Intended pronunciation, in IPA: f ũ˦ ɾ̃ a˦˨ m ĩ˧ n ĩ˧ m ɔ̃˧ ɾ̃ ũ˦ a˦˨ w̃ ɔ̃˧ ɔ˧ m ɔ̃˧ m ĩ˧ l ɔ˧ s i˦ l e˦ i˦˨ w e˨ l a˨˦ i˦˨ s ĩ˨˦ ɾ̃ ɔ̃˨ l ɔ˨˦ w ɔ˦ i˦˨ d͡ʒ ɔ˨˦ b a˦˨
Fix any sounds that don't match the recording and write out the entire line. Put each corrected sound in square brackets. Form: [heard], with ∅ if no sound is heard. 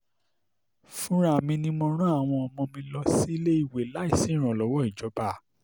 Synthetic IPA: f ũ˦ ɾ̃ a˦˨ m ĩ˧ n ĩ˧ m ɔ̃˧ ɾ̃ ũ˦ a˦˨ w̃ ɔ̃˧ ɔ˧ m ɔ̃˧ m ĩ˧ l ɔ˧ s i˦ l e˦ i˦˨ w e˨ l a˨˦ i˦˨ s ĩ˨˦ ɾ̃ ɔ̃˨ l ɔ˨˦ w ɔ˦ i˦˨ d͡ʒ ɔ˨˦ b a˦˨